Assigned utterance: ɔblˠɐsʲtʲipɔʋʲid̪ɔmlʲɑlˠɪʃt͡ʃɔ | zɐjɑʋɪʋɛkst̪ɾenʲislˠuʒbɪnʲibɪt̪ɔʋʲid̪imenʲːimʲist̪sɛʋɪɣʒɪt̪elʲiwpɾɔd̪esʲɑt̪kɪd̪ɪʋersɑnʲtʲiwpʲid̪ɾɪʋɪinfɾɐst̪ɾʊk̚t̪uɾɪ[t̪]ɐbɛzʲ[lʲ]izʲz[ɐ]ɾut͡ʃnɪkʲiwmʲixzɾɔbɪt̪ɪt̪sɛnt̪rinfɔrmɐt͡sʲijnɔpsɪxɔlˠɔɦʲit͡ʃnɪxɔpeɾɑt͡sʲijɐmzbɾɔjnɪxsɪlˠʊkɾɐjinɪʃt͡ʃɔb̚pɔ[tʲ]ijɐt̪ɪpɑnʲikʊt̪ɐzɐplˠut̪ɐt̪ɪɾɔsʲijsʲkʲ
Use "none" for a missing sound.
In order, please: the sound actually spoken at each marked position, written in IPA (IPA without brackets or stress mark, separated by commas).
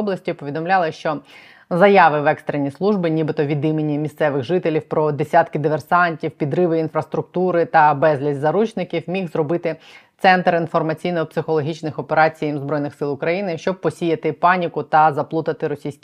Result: t̪, lʲ, ɐ, sʲ